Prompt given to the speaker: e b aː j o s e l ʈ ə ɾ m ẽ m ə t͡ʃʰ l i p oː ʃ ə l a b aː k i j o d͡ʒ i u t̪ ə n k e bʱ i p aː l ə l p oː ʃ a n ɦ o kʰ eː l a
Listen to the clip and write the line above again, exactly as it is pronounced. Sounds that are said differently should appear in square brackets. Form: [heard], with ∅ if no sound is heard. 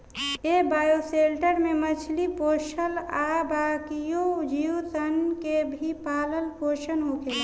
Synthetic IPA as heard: e b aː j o s e l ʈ ə ɾ m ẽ m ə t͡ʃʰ l i p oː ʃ ə l a b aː k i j o d͡ʒ i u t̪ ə n k e bʱ i p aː l ə l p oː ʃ [ə] n ɦ o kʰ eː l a

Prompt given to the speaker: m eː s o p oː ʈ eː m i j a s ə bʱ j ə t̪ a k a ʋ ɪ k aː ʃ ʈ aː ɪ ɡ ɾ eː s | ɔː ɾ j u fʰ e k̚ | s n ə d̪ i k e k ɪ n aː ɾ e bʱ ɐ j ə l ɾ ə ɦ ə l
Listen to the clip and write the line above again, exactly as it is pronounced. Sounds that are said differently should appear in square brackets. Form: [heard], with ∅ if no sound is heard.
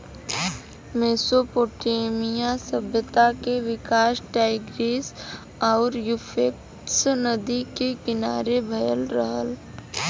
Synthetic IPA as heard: m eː s o p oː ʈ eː m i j a s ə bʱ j ə t̪ a k [e] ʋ ɪ k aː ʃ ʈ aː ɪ ɡ ɾ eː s | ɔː ɾ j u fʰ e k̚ | s n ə d̪ i k e k ɪ n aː ɾ e bʱ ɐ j ə l ɾ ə ɦ ə l

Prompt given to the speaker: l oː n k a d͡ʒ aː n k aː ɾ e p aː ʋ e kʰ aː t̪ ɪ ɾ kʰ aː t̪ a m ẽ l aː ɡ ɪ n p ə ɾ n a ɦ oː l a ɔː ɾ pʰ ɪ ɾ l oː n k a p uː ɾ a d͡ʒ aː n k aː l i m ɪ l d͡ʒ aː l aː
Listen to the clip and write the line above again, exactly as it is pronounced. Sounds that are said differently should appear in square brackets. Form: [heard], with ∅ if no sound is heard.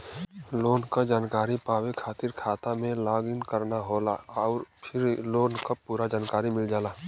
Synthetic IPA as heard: l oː n k a d͡ʒ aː n k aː ɾ [i] p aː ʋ e kʰ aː t̪ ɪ ɾ kʰ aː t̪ a m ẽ l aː ɡ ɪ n [k] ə ɾ n a ɦ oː l a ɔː ɾ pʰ ɪ ɾ l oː n k a p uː ɾ a d͡ʒ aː n k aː [ɾ] i m ɪ l d͡ʒ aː l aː

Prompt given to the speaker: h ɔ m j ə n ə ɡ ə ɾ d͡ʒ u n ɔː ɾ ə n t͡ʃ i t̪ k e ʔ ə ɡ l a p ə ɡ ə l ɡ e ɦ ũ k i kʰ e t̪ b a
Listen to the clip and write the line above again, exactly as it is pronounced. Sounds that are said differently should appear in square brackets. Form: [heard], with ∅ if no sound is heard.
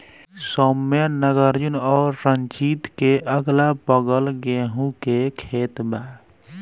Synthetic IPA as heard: [s] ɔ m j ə n ə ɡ ə ɾ d͡ʒ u n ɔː [ɾː] ə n t͡ʃ i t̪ k e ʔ ə ɡ l a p ə ɡ ə l ɡ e ɦ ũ k [e] kʰ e t̪ b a

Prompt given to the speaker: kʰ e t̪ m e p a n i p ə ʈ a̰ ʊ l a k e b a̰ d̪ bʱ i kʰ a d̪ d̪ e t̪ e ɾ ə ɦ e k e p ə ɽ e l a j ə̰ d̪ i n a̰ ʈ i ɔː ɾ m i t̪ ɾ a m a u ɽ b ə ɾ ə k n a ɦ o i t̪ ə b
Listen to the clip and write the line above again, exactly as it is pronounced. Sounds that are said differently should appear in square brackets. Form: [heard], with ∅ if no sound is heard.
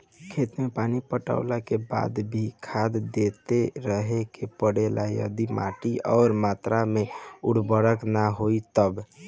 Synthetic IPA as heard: kʰ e t̪ m e p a n i p ə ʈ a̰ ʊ l a k e b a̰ d̪ bʱ i kʰ a d̪ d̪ e t̪ e ɾ ə ɦ e k e p ə ɽ e l a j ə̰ d̪ i [m] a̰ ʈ i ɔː ɾ m [a] t̪ ɾ a m [e] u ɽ b ə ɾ ə k n a ɦ o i t̪ ə b

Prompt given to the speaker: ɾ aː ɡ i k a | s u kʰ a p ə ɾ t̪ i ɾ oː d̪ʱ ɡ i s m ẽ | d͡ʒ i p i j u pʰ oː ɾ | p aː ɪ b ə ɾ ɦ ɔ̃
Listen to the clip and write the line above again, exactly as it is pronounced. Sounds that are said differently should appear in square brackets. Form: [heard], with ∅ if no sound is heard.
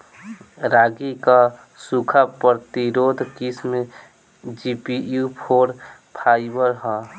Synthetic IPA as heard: ɾ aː ɡ i k a | s u kʰ a p ə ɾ t̪ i ɾ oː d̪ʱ [k] i s m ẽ | d͡ʒ i p i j u pʰ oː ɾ | [pʰ] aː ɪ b ə ɾ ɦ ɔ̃

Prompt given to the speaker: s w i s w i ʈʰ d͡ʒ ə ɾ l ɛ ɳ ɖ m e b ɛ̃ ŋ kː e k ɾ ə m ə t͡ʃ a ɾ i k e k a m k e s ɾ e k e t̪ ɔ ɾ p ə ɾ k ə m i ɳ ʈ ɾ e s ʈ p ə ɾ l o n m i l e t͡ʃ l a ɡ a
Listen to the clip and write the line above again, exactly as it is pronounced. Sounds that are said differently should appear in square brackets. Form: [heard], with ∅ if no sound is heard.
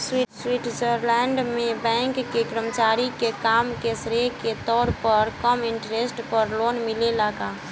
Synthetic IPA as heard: s w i s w i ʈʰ d͡ʒ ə ɾ l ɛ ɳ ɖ m e b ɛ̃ ŋ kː e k ɾ ə m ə t͡ʃ a ɾ i k e k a m k e s ɾ e k e t̪ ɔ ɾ p ə ɾ k ə m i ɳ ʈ ɾ e s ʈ p ə ɾ l o n m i l e [∅] l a ɡ a

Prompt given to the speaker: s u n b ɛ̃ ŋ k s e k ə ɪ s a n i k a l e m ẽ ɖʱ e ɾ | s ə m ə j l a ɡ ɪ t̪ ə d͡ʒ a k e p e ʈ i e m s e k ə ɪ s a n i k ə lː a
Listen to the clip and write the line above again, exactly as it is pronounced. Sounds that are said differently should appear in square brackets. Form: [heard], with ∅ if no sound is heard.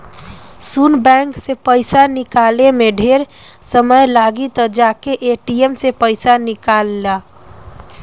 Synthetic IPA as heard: s u n b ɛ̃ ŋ k s e [p] ə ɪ s a n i k a l e m [e] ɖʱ e ɾ | s ə m ə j l a ɡ [i] t̪ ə d͡ʒ a k e [ʔ] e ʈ i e m s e [p] ə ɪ s a n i k [a] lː a

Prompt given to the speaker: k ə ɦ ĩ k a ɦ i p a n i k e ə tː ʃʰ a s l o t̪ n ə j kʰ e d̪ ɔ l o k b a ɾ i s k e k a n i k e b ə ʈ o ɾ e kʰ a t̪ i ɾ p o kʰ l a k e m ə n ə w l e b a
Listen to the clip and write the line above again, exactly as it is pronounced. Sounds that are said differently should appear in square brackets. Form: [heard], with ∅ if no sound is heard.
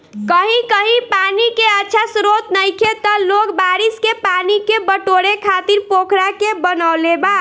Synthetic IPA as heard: k ə ɦ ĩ k [ə] ɦ i p a n i k e ə tː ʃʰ a s [ɾ] o t̪ n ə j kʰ e [t̪] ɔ l o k b a ɾ i s k e [p] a n i k e b ə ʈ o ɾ e kʰ a t̪ i ɾ p o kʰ [ɾ] a k e [b] ə n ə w l e b a

